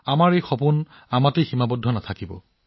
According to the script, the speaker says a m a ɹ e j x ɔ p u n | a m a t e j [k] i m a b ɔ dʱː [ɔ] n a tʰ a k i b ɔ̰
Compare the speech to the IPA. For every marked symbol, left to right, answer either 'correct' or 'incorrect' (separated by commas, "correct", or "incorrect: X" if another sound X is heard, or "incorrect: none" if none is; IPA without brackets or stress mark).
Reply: incorrect: x, correct